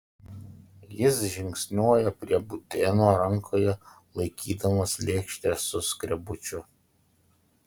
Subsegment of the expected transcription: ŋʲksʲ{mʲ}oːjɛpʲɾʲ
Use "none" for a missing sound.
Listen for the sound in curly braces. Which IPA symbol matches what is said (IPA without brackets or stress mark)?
nʲ